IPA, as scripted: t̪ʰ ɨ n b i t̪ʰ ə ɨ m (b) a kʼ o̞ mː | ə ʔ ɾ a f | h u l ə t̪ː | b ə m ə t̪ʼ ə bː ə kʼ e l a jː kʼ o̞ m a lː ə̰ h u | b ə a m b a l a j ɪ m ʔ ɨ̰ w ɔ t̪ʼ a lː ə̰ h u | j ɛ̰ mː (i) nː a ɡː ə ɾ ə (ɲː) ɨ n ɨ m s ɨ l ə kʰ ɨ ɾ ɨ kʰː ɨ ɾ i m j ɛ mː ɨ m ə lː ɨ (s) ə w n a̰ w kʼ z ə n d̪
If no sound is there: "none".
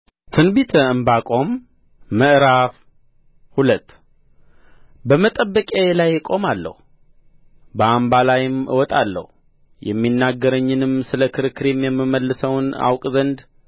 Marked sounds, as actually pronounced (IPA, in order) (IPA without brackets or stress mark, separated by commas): b, i, ɲː, s